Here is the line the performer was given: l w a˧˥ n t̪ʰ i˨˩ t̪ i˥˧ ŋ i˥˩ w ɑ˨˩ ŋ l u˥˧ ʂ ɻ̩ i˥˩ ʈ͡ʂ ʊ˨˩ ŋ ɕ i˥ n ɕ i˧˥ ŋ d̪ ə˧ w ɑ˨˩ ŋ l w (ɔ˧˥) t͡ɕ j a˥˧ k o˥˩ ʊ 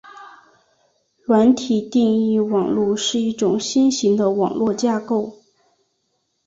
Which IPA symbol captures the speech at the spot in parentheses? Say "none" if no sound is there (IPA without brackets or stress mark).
ɔ˥˧